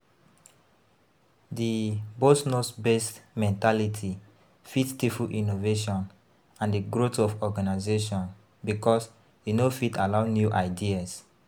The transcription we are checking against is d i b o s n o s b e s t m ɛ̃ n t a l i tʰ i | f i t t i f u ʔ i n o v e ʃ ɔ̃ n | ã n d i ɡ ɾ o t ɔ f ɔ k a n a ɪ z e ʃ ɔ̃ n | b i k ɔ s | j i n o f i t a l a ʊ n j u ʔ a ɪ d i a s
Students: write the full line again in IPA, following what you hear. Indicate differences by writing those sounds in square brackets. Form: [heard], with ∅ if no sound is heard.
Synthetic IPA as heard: d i b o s n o s b e s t m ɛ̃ n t a l i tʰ i | f i t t i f u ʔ i n o v e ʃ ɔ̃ n | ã n d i ɡ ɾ o t ɔ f ɔ [ɡ] a n a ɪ z e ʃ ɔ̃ n | b i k ɔ s | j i n o f i t a l a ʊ n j u ʔ a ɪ d i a s